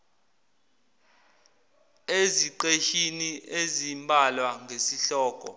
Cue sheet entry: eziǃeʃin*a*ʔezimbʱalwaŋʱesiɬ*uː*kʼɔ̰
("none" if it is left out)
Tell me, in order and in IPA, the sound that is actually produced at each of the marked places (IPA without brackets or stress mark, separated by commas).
i, ɔː